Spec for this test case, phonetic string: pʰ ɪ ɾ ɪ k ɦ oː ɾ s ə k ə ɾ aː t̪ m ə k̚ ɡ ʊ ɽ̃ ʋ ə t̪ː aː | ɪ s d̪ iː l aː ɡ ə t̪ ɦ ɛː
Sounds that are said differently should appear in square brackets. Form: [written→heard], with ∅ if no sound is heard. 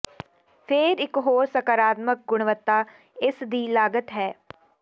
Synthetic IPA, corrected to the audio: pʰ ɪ ɾ ɪ k ɦ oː ɾ s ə k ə ɾ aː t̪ m ə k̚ ɡ ʊ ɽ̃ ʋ ə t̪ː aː | ɪ s d̪ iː l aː ɡ ə t̪ ɦ ɛː